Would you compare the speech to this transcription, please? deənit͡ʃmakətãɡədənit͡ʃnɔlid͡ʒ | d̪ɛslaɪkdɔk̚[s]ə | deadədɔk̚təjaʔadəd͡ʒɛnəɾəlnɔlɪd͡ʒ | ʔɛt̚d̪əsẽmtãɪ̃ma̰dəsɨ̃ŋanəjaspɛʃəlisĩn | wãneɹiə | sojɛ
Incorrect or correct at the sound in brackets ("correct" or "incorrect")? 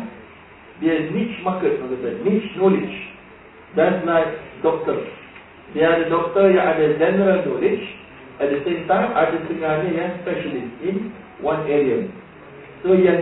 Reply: incorrect